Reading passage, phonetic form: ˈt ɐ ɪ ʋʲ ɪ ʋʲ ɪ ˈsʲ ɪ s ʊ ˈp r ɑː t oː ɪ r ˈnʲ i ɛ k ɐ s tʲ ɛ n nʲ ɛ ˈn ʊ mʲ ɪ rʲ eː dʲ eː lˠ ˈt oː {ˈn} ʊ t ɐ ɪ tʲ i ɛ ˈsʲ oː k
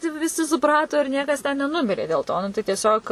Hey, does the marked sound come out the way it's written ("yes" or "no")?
yes